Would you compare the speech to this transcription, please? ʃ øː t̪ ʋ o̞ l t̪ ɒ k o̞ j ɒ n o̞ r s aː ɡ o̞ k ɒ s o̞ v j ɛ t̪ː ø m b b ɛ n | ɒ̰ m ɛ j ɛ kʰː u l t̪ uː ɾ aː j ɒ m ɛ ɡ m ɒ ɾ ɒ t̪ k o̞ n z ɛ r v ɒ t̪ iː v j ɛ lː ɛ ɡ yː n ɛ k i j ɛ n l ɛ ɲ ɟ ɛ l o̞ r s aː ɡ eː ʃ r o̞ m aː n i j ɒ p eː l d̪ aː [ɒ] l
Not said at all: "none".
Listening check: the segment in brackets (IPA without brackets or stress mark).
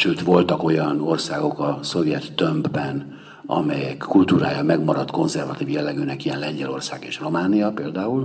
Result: u